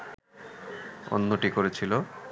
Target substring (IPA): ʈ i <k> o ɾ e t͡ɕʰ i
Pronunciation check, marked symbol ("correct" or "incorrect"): correct